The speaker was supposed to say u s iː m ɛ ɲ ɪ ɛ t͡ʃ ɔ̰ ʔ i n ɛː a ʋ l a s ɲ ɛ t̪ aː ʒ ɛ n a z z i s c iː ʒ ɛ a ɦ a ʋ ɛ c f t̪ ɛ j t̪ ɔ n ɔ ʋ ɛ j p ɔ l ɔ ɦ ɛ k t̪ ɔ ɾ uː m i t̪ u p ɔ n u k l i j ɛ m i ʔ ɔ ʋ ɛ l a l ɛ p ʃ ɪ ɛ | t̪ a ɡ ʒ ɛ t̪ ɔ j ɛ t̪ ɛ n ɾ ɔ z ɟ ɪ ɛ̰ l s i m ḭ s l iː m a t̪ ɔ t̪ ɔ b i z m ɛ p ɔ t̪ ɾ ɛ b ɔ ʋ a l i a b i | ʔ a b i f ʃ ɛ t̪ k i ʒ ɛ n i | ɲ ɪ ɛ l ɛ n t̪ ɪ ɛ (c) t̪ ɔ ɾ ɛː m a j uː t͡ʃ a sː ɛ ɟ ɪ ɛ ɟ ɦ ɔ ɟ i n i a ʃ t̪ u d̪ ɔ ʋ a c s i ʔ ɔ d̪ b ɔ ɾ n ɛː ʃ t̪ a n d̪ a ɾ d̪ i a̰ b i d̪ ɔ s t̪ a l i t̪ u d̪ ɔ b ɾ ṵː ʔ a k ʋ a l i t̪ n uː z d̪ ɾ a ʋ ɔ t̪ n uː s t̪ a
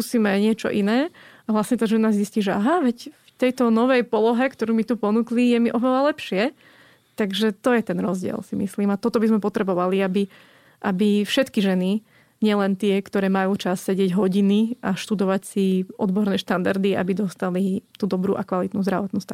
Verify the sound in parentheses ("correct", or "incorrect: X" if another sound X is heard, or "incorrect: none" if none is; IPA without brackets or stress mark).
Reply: incorrect: k